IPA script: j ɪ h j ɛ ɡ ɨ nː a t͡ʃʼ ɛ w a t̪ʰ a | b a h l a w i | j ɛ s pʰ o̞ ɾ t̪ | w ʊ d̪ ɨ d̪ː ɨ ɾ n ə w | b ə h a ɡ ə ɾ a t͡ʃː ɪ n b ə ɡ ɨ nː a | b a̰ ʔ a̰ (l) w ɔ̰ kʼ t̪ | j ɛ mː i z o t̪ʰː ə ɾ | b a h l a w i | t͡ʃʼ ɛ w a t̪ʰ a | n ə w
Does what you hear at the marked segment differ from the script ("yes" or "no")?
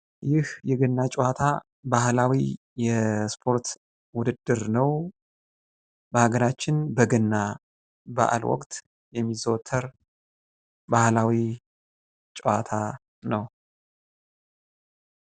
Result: no